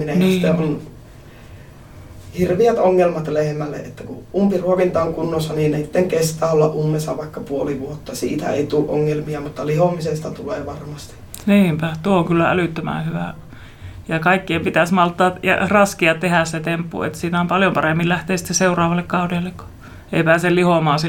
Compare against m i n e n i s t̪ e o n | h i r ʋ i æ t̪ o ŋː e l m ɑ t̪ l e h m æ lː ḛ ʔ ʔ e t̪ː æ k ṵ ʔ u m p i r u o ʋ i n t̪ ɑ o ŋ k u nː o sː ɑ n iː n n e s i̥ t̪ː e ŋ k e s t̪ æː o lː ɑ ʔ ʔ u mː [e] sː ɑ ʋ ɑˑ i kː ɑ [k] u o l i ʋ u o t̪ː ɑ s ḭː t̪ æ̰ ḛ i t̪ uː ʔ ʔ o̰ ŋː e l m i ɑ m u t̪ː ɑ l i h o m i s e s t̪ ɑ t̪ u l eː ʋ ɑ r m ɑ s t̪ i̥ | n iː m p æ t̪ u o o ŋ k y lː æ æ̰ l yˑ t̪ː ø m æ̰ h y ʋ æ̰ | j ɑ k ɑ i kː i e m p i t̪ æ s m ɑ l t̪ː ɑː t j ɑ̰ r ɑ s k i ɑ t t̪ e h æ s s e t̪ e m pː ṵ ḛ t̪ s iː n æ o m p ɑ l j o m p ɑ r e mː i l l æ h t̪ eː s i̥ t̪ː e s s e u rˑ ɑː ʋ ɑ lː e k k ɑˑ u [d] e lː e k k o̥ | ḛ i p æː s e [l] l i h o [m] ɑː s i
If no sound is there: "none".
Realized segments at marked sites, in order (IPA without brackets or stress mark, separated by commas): e, p, d, l, m